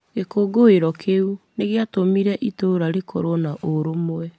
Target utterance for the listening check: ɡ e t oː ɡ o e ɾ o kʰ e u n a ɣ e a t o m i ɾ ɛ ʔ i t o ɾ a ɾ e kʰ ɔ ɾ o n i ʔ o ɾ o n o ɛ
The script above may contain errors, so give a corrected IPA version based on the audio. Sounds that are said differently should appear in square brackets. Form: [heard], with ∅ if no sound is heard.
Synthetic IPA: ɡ e [k] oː ɡ o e ɾ [ɔ] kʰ e u n [e] ɣ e a t o m i ɾ ɛ ʔ i t o ɾ a ɾ e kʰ ɔ ɾ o n [a] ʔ o ɾ o [m] o ɛ